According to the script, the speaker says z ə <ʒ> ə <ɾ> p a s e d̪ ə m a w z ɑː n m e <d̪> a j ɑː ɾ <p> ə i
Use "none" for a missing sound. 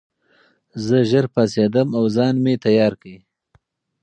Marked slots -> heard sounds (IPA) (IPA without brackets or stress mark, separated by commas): ʒ, ɾ, t̪, k